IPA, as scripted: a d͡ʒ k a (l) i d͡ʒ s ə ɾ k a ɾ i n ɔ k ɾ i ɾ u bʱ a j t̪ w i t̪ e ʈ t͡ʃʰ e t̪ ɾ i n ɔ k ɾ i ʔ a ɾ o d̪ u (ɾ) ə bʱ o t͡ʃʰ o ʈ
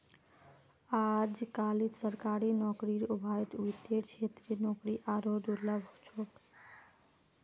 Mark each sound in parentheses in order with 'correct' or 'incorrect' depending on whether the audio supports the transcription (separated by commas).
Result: correct, incorrect